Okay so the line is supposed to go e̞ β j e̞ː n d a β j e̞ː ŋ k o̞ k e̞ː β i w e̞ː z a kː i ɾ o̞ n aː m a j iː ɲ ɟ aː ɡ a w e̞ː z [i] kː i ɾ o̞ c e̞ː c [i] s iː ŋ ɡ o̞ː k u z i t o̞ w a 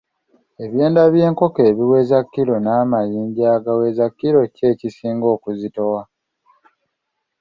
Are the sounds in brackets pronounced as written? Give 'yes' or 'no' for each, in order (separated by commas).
no, yes